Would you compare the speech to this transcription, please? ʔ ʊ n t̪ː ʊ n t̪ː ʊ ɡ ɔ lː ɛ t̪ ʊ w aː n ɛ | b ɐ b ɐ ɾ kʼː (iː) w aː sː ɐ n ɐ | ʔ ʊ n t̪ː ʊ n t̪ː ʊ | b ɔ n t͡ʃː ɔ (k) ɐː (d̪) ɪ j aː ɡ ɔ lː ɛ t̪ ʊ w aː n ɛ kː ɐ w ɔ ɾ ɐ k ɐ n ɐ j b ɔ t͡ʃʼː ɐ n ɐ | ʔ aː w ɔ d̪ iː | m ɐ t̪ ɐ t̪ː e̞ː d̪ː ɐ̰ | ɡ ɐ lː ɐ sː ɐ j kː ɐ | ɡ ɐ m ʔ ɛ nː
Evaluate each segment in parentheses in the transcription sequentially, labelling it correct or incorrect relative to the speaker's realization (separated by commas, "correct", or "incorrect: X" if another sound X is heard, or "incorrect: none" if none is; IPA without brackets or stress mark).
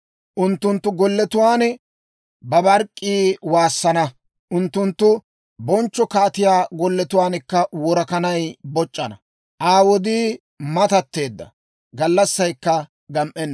correct, correct, incorrect: t̪